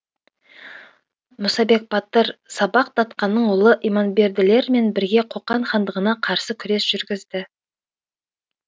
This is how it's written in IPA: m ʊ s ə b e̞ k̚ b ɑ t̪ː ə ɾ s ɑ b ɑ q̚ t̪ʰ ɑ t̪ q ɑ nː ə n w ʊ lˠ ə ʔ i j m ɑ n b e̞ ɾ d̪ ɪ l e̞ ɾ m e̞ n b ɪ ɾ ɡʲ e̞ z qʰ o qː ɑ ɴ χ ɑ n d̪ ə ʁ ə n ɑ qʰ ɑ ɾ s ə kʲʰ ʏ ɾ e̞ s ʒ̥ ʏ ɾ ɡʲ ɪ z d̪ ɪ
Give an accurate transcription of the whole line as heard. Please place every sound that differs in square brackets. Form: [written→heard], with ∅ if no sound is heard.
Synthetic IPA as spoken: m ʊ s [ə→ɑ] b e̞ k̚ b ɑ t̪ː ə ɾ s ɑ b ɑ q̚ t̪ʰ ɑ t̪ q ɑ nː ə [n→ɴ] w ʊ lˠ ə ʔ i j m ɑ n b e̞ ɾ d̪ ɪ l e̞ ɾ m e̞ n b ɪ ɾ ɡʲ e̞ [z→∅] qʰ o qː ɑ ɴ χ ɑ n d̪ ə ʁ ə n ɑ qʰ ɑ ɾ s ə kʲʰ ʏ ɾ e̞ s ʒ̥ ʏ ɾ ɡʲ ɪ z d̪ ɪ

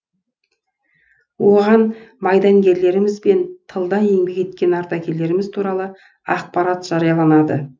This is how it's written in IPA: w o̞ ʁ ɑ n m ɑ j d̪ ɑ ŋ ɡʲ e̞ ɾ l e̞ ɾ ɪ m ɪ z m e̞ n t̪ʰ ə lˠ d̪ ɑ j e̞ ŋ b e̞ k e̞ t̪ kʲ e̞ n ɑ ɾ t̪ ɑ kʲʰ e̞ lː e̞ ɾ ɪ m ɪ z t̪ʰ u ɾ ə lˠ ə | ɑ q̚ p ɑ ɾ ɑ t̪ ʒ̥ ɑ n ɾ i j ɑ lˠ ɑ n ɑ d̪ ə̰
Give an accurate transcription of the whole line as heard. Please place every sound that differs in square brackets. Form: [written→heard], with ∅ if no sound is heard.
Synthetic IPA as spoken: w o̞ ʁ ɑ n m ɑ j d̪ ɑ ŋ ɡʲ e̞ ɾ l e̞ ɾ ɪ m ɪ z [m→b] e̞ n t̪ʰ ə lˠ d̪ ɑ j e̞ ŋ b e̞ k e̞ t̪ kʲ e̞ n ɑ ɾ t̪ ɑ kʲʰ e̞ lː e̞ ɾ ɪ m ɪ z t̪ʰ u ɾ [ə→ɑ] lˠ ə | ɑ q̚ p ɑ ɾ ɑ t̪ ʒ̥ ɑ [n→∅] ɾ i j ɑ lˠ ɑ n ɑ d̪ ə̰

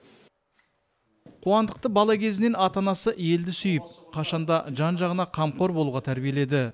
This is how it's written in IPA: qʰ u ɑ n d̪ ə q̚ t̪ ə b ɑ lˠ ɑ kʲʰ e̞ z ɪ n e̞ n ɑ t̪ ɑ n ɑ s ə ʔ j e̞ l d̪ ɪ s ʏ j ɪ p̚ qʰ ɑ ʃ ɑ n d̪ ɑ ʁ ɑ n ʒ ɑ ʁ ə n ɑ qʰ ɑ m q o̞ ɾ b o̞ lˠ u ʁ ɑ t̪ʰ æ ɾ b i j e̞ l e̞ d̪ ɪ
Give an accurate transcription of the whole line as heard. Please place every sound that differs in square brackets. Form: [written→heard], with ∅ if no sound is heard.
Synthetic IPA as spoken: qʰ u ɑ n d̪ ə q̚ t̪ ə b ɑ lˠ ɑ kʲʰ e̞ z ɪ n e̞ n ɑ t̪ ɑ n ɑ s ə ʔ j e̞ l d̪ ɪ s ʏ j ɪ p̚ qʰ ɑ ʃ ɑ n d̪ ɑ [ʁ→ʒ] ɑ n ʒ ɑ ʁ ə n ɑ qʰ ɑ m q o̞ ɾ b o̞ lˠ u ʁ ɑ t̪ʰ æ ɾ b i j e̞ l e̞ d̪ ɪ

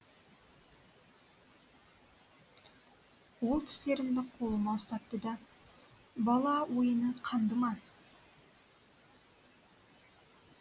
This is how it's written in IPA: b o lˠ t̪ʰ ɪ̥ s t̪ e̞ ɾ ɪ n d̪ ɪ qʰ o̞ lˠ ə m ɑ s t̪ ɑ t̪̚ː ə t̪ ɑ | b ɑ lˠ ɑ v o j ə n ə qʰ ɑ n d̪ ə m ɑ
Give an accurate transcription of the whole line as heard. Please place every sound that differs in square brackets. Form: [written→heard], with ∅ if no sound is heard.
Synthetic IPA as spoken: [b→w] o lˠ t̪ʰ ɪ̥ s t̪ e̞ ɾ ɪ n d̪ ɪ qʰ o̞ lˠ ə m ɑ s t̪ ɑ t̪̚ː ə [t̪→d̪] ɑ | b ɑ lˠ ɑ [v→w] o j ə n ə qʰ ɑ n d̪ ə m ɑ

